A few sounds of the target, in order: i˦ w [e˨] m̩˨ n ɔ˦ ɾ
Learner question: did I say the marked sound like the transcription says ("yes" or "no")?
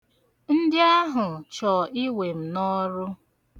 yes